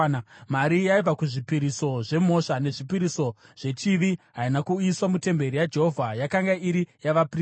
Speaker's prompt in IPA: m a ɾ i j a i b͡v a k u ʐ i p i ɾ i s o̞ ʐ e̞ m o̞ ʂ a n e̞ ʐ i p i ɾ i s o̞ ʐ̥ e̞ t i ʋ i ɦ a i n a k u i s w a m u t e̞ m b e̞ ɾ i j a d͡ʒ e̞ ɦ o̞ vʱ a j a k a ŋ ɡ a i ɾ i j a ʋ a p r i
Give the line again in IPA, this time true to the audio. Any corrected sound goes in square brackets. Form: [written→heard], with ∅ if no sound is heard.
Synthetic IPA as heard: m a ɾ i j a i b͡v a k u ʐ i p i ɾ i s o̞ ʐ e̞ m o̞ ʂ a n e̞ ʐ i p i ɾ i s o̞ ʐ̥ e̞ [t→t͡ʃ] i ʋ i ɦ a i n a k u i s w a m u t e̞ m b e̞ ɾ i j a d͡ʒ e̞ ɦ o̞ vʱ a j a k a ŋ ɡ a i ɾ i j a ʋ a p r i